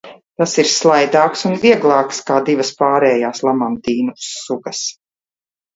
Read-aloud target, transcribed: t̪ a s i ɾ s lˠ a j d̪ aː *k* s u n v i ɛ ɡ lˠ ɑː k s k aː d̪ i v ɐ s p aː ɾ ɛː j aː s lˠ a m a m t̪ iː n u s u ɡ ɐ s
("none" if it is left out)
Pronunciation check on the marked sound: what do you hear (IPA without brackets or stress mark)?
k